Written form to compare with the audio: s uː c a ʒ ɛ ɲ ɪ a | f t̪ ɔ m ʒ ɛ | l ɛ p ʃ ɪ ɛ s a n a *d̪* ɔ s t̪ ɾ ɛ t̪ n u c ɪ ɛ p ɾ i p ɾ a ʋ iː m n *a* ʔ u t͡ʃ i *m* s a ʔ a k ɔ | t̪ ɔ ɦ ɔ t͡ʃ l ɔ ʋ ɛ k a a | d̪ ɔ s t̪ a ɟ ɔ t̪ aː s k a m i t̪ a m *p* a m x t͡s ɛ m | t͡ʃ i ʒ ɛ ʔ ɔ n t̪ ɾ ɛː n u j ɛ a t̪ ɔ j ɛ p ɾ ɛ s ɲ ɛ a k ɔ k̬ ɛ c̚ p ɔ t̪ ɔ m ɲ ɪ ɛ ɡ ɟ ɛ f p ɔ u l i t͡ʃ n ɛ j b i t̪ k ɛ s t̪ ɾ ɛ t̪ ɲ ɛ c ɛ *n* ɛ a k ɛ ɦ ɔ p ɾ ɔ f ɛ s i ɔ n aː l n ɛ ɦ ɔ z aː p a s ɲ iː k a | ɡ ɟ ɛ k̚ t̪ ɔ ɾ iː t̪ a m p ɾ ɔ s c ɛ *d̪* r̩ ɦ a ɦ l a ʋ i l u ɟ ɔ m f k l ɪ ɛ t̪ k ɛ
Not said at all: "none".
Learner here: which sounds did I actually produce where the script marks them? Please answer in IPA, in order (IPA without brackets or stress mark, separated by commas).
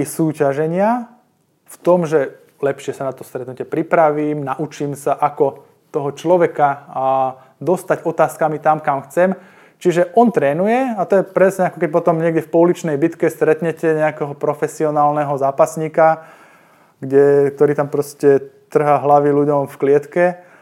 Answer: t̪, a, m, k, ɲ, t̪